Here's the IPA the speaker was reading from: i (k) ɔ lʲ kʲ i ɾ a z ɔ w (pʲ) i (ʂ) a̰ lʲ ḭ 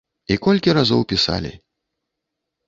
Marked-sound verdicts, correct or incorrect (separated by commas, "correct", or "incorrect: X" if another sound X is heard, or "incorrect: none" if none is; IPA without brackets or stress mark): correct, correct, incorrect: s